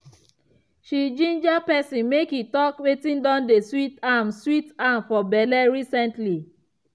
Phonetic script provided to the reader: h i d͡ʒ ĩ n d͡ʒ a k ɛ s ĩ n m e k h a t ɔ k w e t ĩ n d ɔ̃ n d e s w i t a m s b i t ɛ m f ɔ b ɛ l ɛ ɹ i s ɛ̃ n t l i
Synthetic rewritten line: ʃ i d͡ʒ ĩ n d͡ʒ a p ɛ s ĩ n m e k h i t ɔ k w e t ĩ n d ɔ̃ n d e s w i t a m s w i t a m f ɔ b ɛ l ɛ ɹ i s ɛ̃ n t l i